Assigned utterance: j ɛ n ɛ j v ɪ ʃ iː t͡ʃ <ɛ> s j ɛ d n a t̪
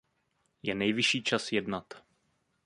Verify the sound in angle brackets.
incorrect: a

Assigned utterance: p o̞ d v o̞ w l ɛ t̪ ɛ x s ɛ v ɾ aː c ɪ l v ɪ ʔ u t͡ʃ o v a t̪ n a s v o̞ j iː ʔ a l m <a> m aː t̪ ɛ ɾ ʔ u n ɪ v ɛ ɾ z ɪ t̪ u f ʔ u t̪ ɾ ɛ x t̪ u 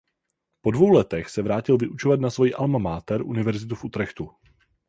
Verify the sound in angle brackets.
correct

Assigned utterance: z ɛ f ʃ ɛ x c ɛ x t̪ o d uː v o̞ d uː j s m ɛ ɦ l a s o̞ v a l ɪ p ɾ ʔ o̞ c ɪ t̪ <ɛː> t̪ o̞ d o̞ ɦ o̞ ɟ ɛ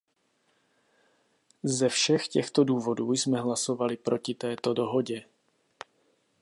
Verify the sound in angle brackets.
correct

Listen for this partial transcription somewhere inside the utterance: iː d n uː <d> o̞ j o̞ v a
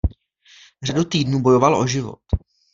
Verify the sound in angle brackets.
incorrect: b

